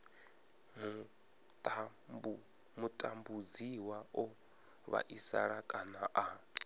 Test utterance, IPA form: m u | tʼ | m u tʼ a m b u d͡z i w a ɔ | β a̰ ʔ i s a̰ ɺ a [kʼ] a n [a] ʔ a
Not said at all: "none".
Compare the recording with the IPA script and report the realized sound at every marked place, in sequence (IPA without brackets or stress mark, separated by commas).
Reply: kʼ, a